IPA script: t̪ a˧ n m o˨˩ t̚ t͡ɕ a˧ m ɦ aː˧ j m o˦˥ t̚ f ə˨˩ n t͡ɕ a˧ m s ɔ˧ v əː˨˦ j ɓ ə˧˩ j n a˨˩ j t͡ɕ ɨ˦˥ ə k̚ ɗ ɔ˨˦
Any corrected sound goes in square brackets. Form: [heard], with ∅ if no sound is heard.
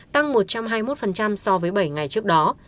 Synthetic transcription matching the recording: t̪ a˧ [ŋ] m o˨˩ t̚ t͡ɕ a˧ m ɦ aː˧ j m o˦˥ t̚ f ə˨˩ n t͡ɕ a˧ m s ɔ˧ v əː˨˦ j ɓ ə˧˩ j [ŋ] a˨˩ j t͡ɕ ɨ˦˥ ə k̚ ɗ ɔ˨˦